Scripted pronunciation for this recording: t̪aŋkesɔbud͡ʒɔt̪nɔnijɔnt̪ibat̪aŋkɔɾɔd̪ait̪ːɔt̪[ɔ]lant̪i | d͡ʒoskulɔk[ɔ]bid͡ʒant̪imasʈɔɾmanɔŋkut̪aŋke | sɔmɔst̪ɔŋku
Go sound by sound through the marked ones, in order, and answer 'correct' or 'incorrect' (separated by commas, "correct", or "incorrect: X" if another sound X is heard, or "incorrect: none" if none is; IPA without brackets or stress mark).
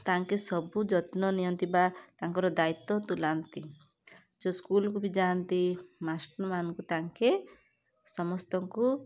incorrect: u, incorrect: u